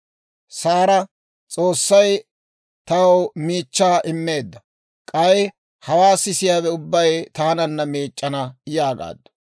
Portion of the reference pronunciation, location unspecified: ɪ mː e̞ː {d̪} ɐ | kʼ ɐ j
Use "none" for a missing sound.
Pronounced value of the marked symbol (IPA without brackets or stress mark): d̪ː